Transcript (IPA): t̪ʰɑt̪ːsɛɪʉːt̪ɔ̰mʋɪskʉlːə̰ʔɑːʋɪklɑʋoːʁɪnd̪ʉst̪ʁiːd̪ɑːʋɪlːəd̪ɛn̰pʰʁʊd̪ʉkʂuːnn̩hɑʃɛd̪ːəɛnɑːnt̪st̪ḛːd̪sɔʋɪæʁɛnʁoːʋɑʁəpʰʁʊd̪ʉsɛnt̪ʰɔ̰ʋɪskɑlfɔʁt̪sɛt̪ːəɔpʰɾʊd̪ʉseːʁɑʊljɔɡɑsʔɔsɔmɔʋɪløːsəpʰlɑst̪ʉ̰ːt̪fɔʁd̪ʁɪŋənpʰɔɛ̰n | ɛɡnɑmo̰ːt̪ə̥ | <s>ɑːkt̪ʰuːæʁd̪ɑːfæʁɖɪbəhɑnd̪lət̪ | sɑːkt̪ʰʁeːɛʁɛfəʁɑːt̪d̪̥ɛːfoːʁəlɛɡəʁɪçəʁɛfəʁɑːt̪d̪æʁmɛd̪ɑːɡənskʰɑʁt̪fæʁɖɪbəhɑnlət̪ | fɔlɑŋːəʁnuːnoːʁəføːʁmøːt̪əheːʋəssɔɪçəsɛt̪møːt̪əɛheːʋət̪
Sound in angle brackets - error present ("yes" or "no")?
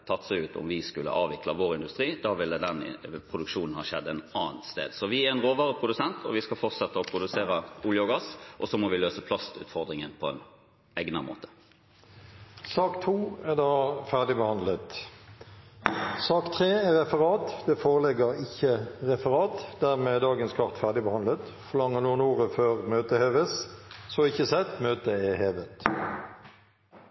no